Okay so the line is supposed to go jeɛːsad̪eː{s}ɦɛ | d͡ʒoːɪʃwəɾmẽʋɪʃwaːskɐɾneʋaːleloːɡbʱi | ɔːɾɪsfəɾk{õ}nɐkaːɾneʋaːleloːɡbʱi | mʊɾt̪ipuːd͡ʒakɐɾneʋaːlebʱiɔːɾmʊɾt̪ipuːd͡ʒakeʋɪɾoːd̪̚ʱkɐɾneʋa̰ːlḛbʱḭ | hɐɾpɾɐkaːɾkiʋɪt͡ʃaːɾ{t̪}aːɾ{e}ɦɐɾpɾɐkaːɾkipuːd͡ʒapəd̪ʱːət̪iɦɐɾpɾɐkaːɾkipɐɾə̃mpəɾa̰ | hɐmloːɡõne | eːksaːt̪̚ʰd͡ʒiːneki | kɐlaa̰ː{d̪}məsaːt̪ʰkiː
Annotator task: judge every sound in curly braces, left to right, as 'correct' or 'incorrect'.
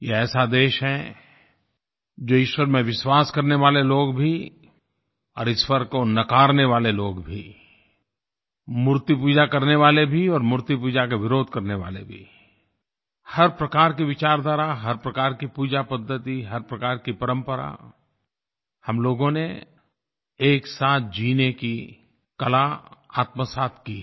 incorrect, incorrect, incorrect, incorrect, incorrect

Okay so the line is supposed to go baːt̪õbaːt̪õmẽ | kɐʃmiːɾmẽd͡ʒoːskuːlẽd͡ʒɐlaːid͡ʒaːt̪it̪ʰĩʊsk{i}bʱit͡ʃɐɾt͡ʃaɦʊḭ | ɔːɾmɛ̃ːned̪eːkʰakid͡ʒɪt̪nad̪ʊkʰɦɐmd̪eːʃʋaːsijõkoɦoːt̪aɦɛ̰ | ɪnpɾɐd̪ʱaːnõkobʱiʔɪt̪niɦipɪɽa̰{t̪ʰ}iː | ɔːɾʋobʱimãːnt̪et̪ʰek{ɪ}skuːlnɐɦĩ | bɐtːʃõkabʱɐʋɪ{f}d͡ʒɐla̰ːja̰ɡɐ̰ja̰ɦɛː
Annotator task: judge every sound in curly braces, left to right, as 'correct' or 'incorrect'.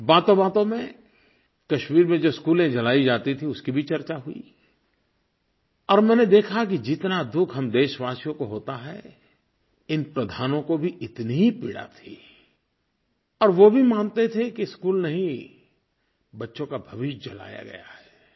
correct, correct, incorrect, incorrect

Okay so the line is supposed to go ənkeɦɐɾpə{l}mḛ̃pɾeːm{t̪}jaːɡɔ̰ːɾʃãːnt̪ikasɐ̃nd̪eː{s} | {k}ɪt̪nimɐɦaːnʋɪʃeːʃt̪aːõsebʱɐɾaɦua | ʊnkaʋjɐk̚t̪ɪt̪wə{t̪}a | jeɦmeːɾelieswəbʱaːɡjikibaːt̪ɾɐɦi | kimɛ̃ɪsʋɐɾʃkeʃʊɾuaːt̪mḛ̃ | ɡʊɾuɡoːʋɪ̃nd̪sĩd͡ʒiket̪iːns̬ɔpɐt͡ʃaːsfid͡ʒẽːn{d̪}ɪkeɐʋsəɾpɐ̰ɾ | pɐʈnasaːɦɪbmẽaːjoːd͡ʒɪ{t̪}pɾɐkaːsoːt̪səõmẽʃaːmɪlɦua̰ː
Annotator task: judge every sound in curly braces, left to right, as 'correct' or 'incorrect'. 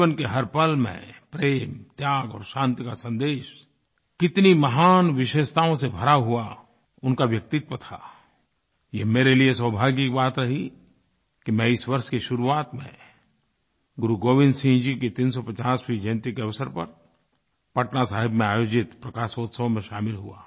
correct, correct, incorrect, correct, incorrect, incorrect, correct

